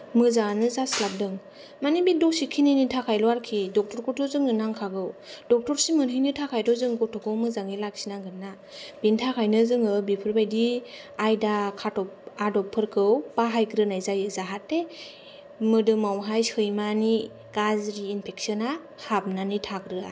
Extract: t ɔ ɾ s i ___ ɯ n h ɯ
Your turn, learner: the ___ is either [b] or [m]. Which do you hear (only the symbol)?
m